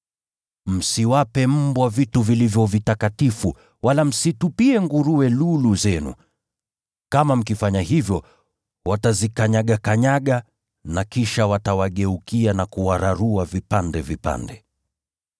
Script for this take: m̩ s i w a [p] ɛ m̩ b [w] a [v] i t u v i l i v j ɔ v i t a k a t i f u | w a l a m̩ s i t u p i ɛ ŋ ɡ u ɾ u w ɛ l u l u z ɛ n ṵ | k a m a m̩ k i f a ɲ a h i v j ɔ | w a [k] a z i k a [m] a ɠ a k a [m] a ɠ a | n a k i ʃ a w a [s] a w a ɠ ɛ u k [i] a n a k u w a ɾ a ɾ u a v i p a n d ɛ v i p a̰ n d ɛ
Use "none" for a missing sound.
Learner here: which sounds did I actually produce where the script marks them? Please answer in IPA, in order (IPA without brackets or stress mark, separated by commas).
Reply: p, w, v, t, ɲ, ɲ, t, i